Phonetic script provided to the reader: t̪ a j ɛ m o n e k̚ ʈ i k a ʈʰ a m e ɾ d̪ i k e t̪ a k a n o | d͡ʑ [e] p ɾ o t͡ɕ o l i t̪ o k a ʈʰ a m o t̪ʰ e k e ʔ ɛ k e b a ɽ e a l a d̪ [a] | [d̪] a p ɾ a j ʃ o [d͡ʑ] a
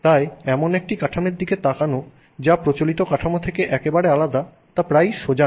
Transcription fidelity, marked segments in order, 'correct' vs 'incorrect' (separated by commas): incorrect, correct, incorrect, correct